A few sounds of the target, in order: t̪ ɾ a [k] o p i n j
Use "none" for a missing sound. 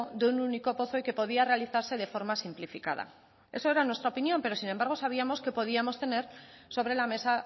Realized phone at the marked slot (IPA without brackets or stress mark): none